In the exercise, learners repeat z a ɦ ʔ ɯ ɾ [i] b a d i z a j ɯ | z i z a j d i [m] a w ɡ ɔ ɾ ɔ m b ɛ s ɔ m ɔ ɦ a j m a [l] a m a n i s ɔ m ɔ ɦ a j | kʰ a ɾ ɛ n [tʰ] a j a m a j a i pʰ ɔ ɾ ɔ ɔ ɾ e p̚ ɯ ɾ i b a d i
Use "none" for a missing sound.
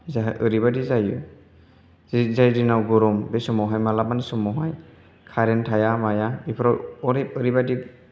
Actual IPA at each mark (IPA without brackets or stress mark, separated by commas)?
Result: i, n, l, tʰ